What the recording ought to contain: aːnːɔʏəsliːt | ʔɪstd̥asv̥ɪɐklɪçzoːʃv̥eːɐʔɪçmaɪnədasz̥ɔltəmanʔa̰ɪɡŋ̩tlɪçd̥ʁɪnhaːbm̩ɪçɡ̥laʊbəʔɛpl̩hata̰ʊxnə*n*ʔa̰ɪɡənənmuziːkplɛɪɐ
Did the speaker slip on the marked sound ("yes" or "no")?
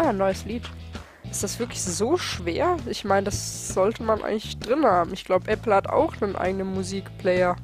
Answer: no